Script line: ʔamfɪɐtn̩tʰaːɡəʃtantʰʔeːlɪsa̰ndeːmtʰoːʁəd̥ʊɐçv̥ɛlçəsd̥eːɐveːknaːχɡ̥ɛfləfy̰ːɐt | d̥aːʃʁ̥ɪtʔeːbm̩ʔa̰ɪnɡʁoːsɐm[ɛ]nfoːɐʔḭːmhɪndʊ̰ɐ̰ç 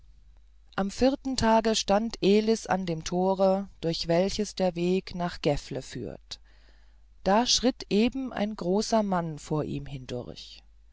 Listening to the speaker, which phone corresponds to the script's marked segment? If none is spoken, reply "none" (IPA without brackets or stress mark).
a